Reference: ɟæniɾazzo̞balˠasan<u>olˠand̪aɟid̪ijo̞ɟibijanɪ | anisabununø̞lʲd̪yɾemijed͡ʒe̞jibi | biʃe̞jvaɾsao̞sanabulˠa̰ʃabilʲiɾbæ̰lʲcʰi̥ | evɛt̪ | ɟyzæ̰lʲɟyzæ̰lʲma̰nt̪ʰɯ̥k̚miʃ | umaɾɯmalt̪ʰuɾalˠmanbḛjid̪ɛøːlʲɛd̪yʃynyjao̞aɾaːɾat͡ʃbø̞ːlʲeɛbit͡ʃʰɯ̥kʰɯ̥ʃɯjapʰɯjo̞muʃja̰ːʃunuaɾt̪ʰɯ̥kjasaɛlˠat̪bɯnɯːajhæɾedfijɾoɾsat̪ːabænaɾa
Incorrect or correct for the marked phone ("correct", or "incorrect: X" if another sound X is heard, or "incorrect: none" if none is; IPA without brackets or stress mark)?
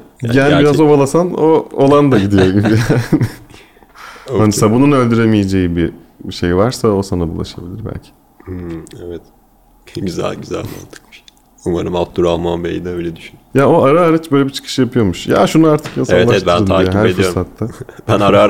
incorrect: o